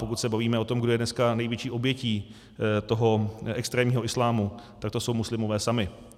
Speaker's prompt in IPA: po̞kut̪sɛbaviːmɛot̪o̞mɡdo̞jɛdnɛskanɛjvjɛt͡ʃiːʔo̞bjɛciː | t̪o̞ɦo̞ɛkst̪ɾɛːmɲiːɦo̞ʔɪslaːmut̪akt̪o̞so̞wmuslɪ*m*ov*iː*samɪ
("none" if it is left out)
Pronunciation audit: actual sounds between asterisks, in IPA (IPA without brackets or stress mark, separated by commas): m, ɛː